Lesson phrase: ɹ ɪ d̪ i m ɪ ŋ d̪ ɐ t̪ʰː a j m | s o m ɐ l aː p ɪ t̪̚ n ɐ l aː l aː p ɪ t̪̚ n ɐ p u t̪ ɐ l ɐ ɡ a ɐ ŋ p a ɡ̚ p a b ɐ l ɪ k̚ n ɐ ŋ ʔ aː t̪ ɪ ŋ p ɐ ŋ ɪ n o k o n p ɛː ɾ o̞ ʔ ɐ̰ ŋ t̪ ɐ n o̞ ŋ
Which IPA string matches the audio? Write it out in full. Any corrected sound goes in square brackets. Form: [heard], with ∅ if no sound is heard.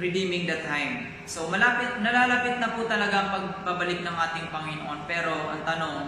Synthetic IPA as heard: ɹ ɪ d̪ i m ɪ ŋ d̪ ɐ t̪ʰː a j m | s o m ɐ l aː p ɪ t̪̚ n ɐ l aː l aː p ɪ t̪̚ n ɐ p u t̪ ɐ l ɐ ɡ a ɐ ŋ p [ɐ] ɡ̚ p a b ɐ l ɪ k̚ n ɐ ŋ ʔ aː t̪ ɪ ŋ p ɐ ŋ ɪ n o [ʔ] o n p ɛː ɾ o̞ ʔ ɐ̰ ŋ t̪ ɐ n o̞ ŋ